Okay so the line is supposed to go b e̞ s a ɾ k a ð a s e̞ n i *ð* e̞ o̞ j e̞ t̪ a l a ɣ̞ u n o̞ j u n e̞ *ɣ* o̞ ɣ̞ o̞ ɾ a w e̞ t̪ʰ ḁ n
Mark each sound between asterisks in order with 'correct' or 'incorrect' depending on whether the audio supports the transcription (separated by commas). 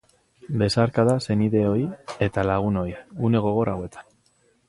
correct, correct